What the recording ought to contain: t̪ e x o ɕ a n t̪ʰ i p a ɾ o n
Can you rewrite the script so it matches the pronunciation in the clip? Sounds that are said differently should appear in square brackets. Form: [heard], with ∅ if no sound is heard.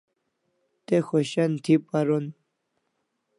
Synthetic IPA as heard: t̪ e x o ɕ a n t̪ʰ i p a ɾ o n